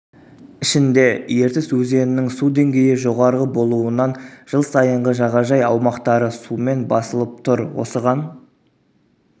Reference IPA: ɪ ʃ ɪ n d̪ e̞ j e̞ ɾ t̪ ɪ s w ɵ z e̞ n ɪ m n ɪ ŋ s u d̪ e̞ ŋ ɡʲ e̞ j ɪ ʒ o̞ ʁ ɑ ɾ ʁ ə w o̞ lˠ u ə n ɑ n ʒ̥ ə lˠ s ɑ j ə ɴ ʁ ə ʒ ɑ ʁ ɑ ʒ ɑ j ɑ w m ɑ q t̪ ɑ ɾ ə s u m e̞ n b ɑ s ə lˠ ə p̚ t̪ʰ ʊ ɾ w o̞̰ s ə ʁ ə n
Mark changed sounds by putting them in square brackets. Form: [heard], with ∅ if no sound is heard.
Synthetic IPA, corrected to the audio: ɪ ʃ ɪ n d̪ e̞ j e̞ ɾ t̪ ɪ s w ɵ z e̞ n ɪ [∅] n ɪ ŋ s u d̪ e̞ ŋ ɡʲ e̞ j ɪ ʒ o̞ ʁ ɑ ɾ ʁ ə [b] o̞ lˠ u ə n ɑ n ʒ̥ ə lˠ s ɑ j ə ɴ ʁ ə ʒ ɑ ʁ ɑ ʒ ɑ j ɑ w m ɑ q t̪ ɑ ɾ ə s u m e̞ n b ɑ s ə lˠ ə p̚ t̪ʰ ʊ ɾ w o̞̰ s ə ʁ [ɑ] n